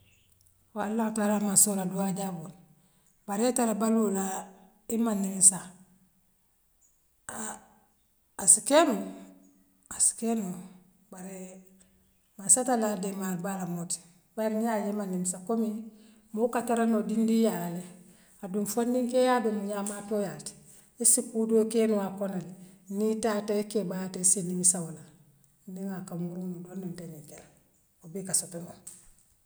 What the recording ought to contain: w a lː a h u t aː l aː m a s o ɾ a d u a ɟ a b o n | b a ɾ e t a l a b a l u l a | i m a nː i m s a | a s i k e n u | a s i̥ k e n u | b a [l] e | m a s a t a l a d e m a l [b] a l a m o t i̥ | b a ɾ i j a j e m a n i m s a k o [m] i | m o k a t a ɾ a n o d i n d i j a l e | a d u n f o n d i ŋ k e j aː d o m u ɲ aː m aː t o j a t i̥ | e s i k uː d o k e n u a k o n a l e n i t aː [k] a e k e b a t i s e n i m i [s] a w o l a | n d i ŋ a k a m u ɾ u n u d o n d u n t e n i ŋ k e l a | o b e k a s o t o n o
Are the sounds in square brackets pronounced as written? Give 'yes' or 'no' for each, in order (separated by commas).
no, yes, yes, no, yes